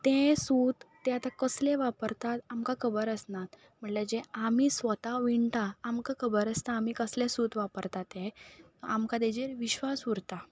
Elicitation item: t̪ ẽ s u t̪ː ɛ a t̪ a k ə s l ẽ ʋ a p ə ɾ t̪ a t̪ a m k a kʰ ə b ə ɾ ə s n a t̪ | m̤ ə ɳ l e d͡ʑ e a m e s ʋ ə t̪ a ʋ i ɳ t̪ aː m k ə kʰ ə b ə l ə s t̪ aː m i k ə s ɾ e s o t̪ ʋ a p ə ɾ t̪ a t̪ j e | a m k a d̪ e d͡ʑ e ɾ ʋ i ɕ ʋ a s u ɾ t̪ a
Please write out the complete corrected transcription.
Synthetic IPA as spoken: t̪ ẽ s u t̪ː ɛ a t̪ a k ə s l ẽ ʋ a p ə ɾ t̪ a t̪ a m k a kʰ ə b ə ɾ ə s n a t̪ | m̤ ə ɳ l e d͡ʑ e a m i s ʋ ə t̪ a ʋ i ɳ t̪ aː m k a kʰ ə b ə ɾ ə s t̪ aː m i k ə s l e s u t̪ ʋ a p ə ɾ t̪ a t̪ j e | a m k a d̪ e d͡ʑ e ɾ ʋ i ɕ ʋ a s u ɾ t̪ a